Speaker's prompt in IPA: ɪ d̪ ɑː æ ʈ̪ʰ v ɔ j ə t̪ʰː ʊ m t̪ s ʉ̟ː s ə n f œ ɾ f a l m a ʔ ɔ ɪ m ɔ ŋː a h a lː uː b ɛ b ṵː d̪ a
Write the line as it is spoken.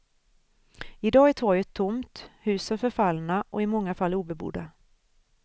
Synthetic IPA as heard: ɪ d̪ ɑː æ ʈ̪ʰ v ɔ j ə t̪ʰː ʊ m t̪ h ʉ̟ː s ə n f œ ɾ f a l n a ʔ ɔ ɪ m ɔ ŋː a f a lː uː b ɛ b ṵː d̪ a

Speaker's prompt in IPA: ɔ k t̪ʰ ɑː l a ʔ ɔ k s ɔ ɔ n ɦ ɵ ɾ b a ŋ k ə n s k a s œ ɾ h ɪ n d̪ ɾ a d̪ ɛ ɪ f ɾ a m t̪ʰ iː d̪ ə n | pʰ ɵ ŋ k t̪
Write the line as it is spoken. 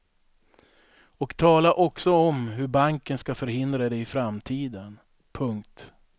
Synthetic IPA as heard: ɔ k t̪ʰ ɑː l a ʔ ɔ k s ɔ ɔ m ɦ ɵ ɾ b a ŋ k ə n s k a f œ ɾ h ɪ n d̪ ɾ a d̪ ɛ ɪ f ɾ a m t̪ʰ iː d̪ ə n | pʰ ɵ ŋ k t̪

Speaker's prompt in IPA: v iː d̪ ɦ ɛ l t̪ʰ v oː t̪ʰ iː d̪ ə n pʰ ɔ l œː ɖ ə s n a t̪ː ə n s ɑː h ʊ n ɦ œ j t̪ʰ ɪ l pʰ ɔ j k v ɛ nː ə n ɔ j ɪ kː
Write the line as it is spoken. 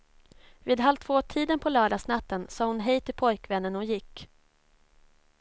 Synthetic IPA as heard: v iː d̪ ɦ a l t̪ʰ v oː t̪ʰ iː d̪ ə n pʰ ɔ l œː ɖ a s n a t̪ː ə n s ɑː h ʊ n ɦ ɛ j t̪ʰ ɪ l pʰ ɔ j k v ɛ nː ə n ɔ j ɪ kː

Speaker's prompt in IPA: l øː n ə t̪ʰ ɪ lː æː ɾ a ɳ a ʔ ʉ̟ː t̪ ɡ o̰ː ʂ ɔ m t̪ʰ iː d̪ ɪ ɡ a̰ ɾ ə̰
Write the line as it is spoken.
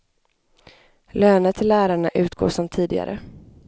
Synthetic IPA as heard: l øː n ə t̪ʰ ɪ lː æː ɾ a ɳ a ʔ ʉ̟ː t̪ ɡ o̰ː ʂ ɔ m t̪ʰ iː d̪ ɪ ɡ a̰ ɾ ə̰

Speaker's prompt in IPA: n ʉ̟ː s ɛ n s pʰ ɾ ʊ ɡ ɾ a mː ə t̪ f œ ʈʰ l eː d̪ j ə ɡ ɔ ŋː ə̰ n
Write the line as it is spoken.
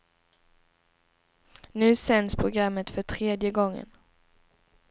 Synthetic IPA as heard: n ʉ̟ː s ɛ n s pʰ ɾ ʊ ɡ ɾ a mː ə t̪ f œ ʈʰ ɾ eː d̪ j ə ɡ ɔ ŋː ə̰ n

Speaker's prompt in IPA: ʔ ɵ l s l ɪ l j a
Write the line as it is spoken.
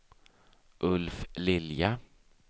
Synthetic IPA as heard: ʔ ɵ l f l ɪ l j a

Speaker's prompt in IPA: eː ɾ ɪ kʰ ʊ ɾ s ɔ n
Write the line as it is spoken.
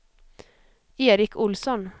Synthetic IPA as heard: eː ɾ ɪ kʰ ʊ l s ɔ n

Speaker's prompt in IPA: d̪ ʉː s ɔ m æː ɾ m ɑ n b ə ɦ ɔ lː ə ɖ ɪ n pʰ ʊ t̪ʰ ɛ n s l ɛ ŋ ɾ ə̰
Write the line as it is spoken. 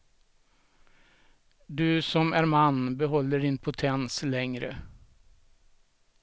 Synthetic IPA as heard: d̪ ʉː s ɔ m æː ɾ m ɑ n b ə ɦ ɔ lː ə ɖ ɪ n pʰ ʊ t̪ʰ ɛ n s l ɛ ŋ ɾ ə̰

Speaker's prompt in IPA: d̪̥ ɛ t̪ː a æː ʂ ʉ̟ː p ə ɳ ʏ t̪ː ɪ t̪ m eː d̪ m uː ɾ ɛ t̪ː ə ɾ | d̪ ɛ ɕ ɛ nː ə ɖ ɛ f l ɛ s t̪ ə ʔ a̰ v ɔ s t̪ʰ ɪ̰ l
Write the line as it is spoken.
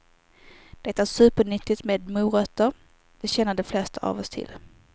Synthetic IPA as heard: d̪̥ ɛ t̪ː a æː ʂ ʉ̟ː p ə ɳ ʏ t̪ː ɪ t̪ m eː d̪ m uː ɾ œ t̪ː ə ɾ | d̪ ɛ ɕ ɛ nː ə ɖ ɛ f l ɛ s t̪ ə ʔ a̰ v ɔ s t̪ʰ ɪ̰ l

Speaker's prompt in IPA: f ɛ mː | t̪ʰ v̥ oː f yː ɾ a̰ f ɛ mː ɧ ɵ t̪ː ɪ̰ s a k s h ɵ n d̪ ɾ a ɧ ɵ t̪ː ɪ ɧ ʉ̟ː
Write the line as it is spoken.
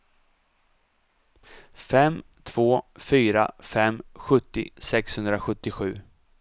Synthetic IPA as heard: f ɛ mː | t̪ʰ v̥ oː f yː ɾ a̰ f ɛ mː ɧ ɵ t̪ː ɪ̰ s ɛ k s h ɵ n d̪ ɾ a ɧ ɵ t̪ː ɪ ɧ ʉ̟ː

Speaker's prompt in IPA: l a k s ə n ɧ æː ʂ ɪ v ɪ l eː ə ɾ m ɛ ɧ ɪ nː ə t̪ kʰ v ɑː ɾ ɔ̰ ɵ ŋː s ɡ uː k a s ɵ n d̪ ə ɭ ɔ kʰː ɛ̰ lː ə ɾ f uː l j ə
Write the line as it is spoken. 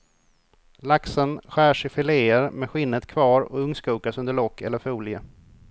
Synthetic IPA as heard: l a k s ə n ɧ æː ʂ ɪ f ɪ l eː ə ɾ m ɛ ɧ ɪ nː ə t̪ kʰ v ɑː ɾ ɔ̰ ɵ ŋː s k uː k a s ɵ n d̪ ə ɭ ɔ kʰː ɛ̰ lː ə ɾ f uː l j ə

